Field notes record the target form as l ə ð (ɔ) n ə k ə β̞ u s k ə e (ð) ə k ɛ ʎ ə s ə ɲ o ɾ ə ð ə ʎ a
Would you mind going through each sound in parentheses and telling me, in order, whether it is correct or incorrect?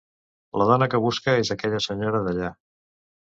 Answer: correct, incorrect: z

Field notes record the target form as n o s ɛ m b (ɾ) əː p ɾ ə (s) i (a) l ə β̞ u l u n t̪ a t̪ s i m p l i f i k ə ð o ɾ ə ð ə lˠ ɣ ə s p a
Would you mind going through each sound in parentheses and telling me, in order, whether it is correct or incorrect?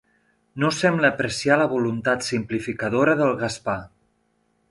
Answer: incorrect: l, correct, correct

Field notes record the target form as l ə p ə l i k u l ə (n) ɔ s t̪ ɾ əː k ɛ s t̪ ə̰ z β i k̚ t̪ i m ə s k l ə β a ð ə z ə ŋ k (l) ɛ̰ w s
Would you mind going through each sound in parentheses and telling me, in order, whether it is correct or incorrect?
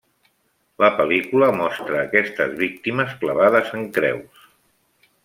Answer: incorrect: m, incorrect: ɾ

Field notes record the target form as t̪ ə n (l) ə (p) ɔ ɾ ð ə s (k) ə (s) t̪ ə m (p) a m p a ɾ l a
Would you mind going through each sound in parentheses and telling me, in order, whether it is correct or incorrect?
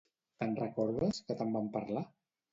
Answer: incorrect: r, incorrect: k, correct, incorrect: none, incorrect: b

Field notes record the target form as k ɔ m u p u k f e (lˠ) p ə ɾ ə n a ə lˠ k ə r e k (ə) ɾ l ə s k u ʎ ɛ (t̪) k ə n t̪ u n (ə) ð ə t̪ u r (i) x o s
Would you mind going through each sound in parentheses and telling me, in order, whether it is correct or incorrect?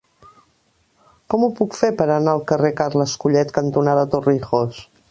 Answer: incorrect: none, incorrect: a, correct, incorrect: a, correct

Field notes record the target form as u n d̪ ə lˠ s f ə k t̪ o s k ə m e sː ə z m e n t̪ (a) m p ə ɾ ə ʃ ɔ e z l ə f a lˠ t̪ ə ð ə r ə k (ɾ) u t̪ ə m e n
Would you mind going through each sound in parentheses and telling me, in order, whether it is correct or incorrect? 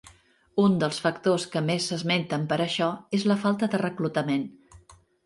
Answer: incorrect: ə, incorrect: l

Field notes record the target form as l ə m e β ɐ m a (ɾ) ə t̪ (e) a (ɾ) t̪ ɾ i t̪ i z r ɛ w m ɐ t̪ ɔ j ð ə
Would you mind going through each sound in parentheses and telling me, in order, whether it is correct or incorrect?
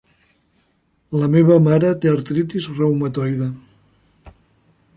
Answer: correct, correct, correct

